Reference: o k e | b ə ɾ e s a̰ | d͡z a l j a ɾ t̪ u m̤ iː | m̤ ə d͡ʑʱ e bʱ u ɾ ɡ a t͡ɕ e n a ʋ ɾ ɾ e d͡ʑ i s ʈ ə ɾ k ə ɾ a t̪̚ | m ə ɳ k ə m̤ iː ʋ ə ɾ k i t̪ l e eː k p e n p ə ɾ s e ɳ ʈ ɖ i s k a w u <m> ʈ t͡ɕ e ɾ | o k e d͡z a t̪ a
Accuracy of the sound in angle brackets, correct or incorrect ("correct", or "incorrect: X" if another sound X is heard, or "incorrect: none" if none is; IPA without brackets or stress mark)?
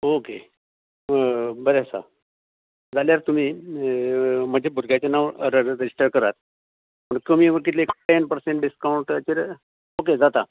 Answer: incorrect: ɳ